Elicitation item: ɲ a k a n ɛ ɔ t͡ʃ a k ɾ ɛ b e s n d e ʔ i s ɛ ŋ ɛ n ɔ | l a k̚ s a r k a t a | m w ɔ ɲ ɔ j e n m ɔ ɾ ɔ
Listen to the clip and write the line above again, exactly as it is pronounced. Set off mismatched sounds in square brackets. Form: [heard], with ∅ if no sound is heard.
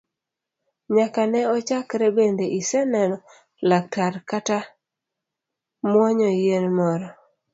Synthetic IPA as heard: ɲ a k a n ɛ ɔ t͡ʃ a k ɾ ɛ b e [∅] n d e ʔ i s ɛ [n] ɛ n ɔ | l a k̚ [t] a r k a t a | m w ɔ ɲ ɔ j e n m ɔ ɾ ɔ